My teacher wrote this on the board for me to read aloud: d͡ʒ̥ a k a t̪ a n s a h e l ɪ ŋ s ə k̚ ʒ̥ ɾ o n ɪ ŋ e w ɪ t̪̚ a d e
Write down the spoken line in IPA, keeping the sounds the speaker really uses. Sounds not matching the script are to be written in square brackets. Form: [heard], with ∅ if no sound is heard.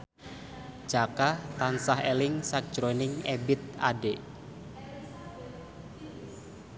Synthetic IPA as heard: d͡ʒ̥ a k a t̪ a n s a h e l ɪ ŋ s [a] k̚ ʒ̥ ɾ o n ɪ ŋ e [b] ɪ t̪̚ a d e